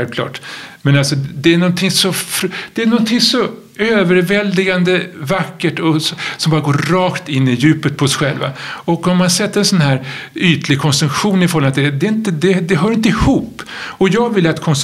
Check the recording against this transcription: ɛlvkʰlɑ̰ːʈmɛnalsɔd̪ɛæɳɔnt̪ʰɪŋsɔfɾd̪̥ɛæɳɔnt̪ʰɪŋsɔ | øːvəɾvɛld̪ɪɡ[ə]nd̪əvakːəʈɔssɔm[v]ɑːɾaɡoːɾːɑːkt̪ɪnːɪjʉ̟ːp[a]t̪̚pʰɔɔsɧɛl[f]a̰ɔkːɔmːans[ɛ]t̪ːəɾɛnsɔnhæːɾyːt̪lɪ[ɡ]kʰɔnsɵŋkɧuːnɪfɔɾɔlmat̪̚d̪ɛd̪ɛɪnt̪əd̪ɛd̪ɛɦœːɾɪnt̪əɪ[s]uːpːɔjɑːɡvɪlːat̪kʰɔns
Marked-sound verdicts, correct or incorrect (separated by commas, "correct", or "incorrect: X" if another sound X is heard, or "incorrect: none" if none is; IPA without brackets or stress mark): incorrect: a, incorrect: b, incorrect: ə, incorrect: v, correct, correct, incorrect: h